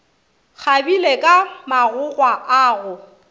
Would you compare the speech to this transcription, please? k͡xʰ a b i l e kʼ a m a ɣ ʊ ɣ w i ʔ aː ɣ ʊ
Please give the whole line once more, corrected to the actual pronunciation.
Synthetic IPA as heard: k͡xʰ a b i l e kʼ a m a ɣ ʊ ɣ w a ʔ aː ɣ ʊ